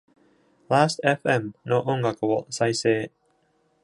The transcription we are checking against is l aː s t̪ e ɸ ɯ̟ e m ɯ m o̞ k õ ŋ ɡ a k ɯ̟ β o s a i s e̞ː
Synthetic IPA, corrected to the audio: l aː s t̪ e ɸ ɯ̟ e m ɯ n o̞ ʔ õ ŋ ɡ a k ɯ̟ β o s a i s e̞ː